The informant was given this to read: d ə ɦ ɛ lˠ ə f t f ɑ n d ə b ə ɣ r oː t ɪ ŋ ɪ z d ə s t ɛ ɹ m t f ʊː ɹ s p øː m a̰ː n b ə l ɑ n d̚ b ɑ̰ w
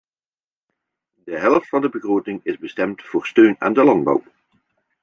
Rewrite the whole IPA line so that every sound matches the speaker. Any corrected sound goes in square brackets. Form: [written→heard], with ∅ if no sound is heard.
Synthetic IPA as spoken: d ə ɦ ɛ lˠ ə f t f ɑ n d ə b ə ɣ r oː t ɪ ŋ ɪ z [d→b] ə s t ɛ [ɹ→∅] m t f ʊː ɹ s [p→t] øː [m→n] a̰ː n [b→d] ə l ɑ n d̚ b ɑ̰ w